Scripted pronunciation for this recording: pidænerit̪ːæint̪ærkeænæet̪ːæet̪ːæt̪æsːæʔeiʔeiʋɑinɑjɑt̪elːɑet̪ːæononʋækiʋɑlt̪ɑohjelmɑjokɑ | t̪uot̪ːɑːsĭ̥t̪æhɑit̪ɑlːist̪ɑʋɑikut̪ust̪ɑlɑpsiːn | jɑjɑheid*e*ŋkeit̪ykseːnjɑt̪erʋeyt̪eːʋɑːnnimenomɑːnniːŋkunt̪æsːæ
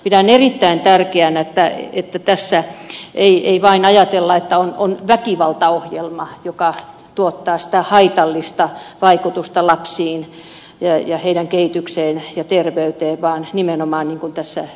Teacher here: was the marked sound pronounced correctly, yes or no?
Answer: no